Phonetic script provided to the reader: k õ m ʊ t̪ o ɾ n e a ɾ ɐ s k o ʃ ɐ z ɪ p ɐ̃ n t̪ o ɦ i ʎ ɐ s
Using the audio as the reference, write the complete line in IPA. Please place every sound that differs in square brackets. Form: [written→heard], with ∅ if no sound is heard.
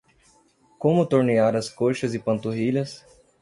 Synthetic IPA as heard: k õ m ʊ t̪ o ɾ n e a ɾ ɐ s k o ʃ ɐ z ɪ p ɐ̃ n t̪ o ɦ i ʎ ɐ s